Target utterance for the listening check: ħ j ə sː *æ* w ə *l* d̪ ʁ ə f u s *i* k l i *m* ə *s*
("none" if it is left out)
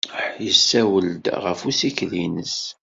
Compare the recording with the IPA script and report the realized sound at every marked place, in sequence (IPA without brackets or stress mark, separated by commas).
æ, l, i, n, s